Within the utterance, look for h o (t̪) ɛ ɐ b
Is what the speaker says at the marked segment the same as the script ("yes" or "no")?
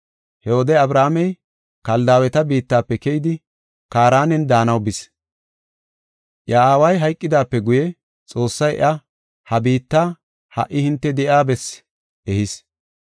no